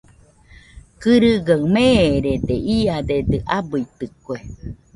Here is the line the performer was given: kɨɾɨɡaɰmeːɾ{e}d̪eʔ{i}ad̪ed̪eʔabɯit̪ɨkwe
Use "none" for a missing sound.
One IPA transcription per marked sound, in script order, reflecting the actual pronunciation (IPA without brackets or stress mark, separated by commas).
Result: e, i